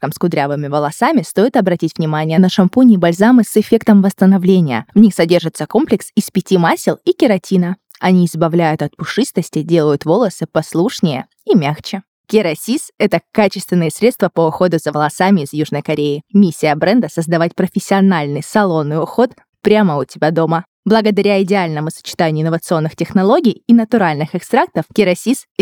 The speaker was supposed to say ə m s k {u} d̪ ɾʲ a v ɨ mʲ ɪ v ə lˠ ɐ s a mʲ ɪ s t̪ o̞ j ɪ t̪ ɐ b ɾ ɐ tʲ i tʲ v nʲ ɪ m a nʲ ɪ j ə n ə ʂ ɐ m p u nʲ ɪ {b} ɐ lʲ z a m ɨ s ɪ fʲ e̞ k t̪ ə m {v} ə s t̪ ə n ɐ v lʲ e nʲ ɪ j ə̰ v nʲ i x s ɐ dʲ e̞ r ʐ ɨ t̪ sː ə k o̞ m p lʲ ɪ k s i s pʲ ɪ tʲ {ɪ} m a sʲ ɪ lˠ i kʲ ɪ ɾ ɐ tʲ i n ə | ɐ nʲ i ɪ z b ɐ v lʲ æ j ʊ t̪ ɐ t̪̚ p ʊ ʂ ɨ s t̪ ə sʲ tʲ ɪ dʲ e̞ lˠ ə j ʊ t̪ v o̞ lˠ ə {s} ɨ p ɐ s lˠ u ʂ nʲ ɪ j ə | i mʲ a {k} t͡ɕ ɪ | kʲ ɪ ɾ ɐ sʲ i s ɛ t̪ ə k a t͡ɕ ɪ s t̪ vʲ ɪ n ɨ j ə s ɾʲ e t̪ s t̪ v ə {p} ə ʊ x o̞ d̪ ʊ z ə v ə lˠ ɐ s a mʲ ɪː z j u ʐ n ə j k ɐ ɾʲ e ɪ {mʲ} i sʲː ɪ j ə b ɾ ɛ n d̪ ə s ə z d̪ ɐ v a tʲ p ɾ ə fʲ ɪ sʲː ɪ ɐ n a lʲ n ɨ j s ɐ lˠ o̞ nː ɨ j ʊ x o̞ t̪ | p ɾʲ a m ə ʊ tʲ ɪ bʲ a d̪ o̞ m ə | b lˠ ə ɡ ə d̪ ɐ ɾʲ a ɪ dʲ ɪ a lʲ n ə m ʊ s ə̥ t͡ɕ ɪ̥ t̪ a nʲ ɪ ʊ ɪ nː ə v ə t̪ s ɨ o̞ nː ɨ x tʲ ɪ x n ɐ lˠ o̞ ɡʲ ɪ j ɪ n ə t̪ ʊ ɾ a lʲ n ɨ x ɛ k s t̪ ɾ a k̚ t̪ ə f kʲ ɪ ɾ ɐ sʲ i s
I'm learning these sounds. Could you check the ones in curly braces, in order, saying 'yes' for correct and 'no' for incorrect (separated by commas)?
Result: no, yes, yes, no, yes, no, yes, yes